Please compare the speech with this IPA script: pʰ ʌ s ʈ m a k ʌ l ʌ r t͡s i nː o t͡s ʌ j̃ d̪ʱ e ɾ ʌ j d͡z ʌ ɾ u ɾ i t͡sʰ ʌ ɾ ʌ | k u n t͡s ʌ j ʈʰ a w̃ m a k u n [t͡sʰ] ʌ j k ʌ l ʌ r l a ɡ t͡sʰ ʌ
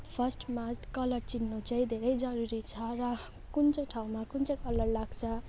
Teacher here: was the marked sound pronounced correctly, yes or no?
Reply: no